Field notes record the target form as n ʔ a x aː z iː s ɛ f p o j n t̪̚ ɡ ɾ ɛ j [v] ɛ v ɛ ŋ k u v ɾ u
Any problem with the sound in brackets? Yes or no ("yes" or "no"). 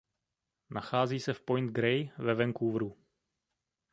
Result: no